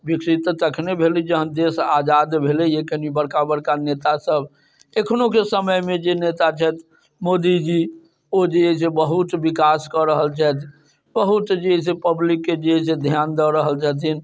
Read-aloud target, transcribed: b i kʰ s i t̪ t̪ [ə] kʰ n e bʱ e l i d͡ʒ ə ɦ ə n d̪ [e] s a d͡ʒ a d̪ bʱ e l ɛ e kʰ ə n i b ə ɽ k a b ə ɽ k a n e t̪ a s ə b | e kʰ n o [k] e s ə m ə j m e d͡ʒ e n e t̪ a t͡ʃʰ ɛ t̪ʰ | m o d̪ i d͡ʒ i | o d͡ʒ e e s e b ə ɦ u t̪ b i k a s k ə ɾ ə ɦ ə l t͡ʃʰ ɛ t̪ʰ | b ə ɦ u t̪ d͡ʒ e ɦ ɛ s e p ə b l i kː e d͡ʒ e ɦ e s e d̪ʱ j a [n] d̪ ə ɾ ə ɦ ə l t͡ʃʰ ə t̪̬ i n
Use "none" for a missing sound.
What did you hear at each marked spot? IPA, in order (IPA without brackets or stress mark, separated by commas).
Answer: ə, e, k, n